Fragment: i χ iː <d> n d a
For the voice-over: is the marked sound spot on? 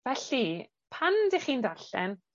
no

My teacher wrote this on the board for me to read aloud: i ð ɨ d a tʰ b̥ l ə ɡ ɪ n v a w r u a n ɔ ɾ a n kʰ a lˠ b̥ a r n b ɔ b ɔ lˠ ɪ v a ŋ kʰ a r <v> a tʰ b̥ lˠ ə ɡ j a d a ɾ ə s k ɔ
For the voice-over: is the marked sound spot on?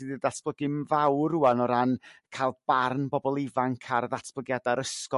no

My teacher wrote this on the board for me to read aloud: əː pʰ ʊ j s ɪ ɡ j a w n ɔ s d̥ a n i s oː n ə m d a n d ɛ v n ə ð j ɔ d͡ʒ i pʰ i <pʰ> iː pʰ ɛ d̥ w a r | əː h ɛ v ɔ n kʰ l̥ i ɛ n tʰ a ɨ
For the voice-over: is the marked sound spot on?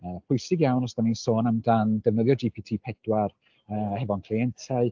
no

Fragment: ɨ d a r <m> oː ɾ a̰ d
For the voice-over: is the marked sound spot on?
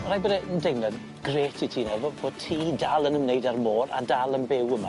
yes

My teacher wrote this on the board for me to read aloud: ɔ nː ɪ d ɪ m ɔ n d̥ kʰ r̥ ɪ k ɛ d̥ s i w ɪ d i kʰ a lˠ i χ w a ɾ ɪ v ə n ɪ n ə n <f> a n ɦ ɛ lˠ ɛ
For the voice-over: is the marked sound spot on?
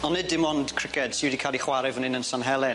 no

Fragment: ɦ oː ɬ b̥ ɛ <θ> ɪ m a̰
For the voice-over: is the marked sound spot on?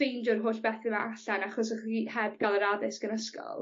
yes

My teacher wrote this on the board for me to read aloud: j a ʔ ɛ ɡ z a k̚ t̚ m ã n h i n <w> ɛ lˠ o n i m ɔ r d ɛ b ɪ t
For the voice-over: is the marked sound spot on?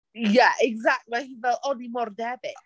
no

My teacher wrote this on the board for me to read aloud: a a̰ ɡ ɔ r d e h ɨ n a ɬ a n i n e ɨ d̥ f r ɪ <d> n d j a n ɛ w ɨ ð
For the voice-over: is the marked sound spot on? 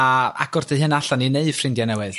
no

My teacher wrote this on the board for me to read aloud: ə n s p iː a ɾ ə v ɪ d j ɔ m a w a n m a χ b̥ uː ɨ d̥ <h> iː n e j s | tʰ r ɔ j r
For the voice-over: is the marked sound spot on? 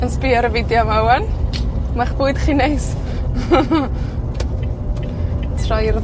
no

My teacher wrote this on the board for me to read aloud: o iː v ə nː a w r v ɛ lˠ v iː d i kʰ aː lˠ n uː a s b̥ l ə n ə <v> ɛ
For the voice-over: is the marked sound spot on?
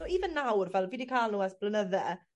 no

